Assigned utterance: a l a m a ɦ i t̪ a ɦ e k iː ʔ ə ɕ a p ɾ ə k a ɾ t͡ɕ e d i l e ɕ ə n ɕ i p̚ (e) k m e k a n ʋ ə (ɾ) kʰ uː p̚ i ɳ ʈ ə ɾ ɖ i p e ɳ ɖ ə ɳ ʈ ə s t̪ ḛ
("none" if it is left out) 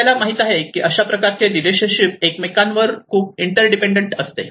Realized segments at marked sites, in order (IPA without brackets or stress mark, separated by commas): e, ɾ